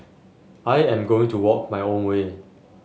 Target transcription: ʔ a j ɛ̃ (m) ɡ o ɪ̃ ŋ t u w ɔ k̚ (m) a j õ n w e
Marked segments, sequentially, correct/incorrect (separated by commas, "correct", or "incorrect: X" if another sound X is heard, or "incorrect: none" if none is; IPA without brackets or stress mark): correct, correct